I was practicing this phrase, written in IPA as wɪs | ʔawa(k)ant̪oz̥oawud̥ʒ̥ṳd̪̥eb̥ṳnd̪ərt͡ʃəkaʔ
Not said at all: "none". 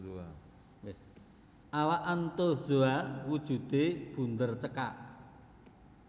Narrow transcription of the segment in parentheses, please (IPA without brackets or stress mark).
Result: ʔ